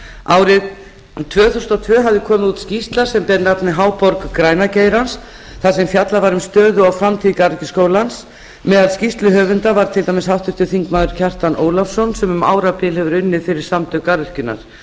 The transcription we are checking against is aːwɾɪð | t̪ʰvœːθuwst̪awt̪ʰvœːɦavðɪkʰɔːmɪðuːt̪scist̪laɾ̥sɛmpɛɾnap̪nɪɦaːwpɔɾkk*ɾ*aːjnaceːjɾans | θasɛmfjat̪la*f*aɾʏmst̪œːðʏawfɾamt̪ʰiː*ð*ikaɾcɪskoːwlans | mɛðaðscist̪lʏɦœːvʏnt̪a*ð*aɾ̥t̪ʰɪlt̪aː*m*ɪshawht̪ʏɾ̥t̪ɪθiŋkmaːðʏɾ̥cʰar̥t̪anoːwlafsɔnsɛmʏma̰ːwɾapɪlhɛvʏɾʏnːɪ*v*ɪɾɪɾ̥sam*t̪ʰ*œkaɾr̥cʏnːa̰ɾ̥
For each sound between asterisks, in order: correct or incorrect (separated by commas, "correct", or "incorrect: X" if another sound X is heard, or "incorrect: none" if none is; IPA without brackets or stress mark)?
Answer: correct, incorrect: v, correct, incorrect: v, correct, incorrect: f, incorrect: t̪